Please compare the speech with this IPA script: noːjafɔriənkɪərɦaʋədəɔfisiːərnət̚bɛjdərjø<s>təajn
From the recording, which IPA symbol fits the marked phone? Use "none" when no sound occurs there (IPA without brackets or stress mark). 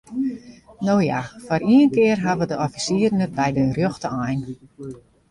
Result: x